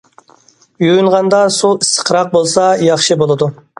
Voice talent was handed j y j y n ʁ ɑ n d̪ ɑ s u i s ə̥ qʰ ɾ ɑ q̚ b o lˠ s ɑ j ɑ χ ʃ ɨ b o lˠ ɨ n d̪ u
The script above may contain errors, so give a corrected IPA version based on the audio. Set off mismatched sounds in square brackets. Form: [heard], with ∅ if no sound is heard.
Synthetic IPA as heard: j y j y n ʁ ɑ n d̪ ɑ s u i s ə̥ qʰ ɾ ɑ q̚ b o lˠ s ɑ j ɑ χ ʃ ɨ b o lˠ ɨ [∅] d̪ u